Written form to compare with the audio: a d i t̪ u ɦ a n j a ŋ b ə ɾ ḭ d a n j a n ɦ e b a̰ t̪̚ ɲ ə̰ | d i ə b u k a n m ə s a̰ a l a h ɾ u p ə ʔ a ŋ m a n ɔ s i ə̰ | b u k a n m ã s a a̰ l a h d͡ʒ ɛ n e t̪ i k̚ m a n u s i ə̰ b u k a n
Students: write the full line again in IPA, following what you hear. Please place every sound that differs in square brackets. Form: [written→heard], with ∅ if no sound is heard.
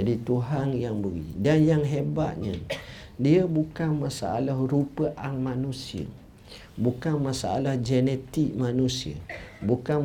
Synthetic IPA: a d i t̪ u ɦ a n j a ŋ b ə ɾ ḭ d a n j a [n→ŋ] ɦ e b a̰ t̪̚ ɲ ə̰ | d i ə b u k a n m [ə→a] s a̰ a l a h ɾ u p ə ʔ a ŋ m a n [ɔ→u] s i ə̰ | b u k a n m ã s a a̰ l a h d͡ʒ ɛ n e t̪ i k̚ m a n u s i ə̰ b u k a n